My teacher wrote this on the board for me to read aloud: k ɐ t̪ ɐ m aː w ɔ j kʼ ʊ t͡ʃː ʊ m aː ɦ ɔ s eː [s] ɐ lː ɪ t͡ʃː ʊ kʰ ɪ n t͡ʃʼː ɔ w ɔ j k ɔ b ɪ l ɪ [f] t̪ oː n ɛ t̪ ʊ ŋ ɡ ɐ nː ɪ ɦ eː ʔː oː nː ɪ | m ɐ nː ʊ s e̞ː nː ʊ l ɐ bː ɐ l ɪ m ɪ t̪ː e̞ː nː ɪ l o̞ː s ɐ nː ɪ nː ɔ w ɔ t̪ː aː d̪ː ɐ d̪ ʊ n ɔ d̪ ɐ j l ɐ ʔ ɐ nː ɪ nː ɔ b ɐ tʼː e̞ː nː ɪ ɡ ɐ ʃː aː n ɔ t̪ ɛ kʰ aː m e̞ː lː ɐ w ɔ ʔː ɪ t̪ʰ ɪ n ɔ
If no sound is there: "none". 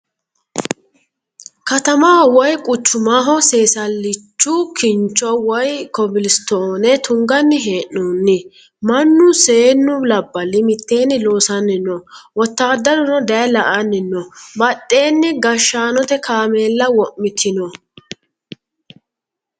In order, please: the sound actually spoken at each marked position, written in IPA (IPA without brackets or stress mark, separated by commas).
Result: s, s